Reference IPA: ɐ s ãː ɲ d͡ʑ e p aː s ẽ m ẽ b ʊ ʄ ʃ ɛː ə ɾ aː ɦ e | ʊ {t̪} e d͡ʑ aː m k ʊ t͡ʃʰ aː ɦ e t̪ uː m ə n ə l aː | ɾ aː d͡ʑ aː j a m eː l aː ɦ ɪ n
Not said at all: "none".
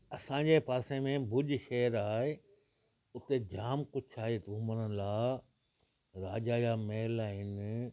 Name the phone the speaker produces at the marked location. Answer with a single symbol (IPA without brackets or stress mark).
t̪